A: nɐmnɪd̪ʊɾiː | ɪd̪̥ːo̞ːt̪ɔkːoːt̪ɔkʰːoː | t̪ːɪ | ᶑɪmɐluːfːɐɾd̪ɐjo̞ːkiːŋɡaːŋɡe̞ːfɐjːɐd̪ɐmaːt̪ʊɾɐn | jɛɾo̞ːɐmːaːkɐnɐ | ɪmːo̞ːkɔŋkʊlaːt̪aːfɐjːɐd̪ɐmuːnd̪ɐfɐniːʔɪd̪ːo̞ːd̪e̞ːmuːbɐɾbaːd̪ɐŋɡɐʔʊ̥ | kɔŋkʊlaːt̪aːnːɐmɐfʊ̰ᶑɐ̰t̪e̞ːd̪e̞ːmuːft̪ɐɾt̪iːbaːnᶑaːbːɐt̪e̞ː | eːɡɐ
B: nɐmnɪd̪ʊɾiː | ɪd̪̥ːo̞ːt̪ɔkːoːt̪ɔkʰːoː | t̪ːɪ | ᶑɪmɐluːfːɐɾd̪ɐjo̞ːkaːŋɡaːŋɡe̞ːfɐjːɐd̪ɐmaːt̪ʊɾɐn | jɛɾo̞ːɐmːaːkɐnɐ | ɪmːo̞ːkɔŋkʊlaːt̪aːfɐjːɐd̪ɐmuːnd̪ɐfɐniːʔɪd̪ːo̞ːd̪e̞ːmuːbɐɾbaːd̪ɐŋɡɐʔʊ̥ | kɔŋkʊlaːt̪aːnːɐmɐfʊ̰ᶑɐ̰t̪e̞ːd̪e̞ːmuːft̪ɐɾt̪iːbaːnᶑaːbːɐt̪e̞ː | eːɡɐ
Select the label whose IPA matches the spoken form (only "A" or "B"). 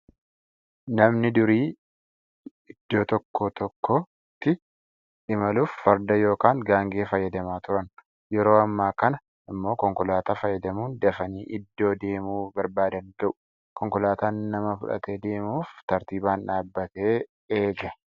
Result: B